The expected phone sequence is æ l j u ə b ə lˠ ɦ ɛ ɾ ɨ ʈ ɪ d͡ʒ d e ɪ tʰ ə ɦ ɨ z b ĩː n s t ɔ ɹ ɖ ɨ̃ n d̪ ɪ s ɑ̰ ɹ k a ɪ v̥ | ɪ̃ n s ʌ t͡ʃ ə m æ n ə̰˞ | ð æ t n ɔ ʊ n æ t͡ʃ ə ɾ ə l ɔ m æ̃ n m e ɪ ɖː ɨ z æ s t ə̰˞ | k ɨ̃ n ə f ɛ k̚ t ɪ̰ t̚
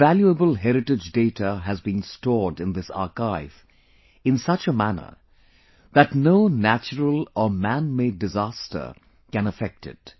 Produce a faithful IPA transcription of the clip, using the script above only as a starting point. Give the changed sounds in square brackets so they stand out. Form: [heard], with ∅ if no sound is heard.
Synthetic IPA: æ l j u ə b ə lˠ ɦ ɛ ɾ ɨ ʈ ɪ d͡ʒ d e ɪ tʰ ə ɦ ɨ z b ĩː n s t ɔ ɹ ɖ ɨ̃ n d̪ ɪ s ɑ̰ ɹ k a ɪ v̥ | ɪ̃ n s ʌ t͡ʃ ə m æ n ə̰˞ | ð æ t n [o] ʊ n æ t͡ʃ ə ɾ ə l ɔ m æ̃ n m e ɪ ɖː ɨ z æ s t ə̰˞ | k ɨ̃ n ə f ɛ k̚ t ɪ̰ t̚